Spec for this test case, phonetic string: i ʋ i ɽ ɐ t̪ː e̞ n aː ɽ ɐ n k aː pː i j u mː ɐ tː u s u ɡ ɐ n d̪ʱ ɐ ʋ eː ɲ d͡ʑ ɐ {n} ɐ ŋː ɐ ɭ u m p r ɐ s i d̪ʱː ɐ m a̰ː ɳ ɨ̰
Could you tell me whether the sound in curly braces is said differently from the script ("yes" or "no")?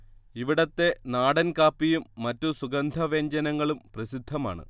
no